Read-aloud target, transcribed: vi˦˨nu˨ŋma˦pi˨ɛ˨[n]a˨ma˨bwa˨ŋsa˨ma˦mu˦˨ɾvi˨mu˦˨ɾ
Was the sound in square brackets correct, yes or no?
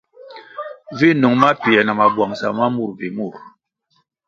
yes